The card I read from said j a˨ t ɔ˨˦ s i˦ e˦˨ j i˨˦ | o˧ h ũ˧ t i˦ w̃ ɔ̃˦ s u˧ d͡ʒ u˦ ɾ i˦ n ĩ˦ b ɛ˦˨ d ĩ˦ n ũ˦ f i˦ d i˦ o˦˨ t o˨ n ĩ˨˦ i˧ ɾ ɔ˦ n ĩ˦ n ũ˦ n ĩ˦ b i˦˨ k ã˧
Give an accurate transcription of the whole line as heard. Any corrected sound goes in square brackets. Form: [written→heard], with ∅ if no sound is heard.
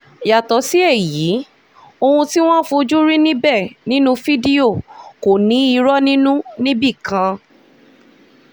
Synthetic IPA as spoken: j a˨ t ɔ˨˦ s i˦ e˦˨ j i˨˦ | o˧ h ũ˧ t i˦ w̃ ɔ̃˦ [s→f] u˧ d͡ʒ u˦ ɾ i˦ n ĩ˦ b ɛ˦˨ [d→n] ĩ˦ n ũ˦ f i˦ d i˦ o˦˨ [t→k] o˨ n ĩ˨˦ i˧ ɾ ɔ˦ n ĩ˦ n ũ˦ n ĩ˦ b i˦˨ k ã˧